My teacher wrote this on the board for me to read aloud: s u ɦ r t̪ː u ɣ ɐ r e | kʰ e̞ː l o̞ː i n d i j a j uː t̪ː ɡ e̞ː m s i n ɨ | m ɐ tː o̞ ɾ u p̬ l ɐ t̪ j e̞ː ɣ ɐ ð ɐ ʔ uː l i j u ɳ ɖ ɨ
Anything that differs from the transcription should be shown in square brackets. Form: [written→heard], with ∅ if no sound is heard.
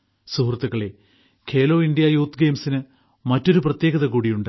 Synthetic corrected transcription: s u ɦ r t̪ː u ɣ ɐ [r→ɭ] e | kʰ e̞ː l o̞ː i n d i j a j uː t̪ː ɡ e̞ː m s i n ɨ | m ɐ tː o̞ ɾ u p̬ [l→r] ɐ t̪ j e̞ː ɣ ɐ ð ɐ [ʔ→k] uː [l→ɽ] i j u ɳ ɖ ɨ